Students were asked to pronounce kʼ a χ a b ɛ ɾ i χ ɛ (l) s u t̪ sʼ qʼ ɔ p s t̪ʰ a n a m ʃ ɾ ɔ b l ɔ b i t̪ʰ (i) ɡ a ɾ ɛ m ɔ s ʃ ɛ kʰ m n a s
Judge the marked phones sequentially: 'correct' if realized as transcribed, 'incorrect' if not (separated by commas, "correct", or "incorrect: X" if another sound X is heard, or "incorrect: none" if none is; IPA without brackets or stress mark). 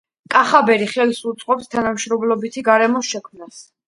correct, correct